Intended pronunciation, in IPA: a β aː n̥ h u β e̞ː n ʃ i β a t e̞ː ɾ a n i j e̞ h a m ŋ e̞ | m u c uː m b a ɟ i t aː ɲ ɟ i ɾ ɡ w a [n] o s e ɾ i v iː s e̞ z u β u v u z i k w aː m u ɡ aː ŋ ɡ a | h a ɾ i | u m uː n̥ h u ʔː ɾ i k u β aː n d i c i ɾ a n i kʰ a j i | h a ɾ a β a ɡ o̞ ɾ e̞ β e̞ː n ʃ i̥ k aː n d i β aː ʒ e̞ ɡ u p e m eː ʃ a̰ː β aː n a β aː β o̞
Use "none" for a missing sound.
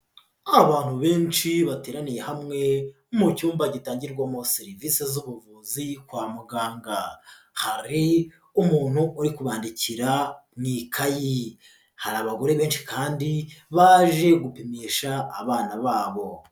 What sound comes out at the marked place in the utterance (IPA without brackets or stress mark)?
m